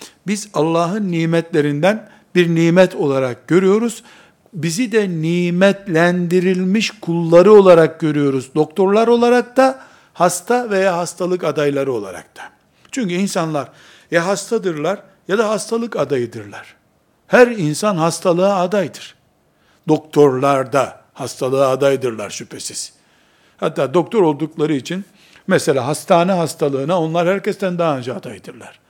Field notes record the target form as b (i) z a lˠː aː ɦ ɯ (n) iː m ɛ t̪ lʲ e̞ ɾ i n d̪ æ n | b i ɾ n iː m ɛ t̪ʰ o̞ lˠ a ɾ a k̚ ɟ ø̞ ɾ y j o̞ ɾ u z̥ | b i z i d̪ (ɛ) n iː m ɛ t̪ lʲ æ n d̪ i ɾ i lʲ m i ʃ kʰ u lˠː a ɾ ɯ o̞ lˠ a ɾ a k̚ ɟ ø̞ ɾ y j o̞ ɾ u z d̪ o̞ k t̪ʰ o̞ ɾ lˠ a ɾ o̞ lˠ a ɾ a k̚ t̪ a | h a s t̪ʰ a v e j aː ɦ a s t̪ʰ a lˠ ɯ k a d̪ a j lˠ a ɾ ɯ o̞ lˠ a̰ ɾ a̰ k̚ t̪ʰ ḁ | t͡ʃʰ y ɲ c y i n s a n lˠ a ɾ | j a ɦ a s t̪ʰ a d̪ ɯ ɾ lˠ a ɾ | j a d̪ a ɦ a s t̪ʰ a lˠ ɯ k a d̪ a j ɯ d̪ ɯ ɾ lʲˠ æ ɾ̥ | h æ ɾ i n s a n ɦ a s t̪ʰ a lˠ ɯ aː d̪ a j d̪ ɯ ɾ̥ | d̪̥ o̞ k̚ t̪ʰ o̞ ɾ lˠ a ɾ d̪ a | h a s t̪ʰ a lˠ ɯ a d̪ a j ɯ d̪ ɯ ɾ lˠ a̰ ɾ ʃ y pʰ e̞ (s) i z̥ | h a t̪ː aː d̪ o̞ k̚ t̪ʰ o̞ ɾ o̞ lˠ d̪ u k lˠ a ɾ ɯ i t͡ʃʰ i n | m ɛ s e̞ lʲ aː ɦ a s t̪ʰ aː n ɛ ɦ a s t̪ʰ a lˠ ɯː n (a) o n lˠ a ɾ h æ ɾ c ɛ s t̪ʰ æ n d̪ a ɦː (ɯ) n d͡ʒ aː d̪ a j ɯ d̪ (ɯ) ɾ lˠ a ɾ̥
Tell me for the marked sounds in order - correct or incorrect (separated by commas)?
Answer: correct, incorrect, correct, correct, correct, correct, correct